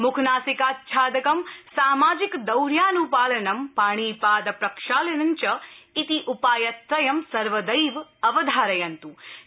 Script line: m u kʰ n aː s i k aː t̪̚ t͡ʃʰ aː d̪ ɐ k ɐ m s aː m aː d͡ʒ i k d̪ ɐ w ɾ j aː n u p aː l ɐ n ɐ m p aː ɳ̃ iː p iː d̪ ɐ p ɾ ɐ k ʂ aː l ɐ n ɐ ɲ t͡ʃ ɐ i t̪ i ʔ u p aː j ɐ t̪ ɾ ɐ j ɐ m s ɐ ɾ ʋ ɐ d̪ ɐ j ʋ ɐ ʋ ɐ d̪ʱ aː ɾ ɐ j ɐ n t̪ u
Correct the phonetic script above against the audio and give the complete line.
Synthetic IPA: m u kʰ n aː s i k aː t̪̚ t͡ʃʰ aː d̪ ɐ k ɐ m s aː m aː d͡ʒ i k d̪ ɐ w ɾ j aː n u p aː l ɐ n ɐ m p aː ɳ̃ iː p aː d̪ ɐ p ɾ ɐ k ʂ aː l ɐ n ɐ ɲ t͡ʃ ɐ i t̪ i ʔ u p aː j ɐ t̪ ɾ ɐ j ɐ m s ɐ ɾ ʋ ɐ d̪ ɐ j ʋ ɐ ʋ ɐ d̪ʱ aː ɾ ɐ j ɐ n t̪ u